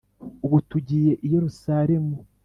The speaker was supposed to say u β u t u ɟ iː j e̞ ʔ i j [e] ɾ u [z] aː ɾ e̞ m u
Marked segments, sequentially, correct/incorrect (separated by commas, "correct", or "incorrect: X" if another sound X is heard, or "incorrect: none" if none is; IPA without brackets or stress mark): correct, incorrect: s